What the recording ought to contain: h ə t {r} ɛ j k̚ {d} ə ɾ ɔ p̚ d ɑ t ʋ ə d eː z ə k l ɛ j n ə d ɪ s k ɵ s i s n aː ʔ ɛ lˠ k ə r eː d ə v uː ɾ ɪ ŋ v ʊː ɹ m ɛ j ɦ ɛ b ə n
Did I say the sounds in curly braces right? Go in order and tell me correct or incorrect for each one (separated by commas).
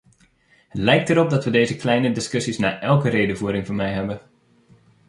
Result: incorrect, incorrect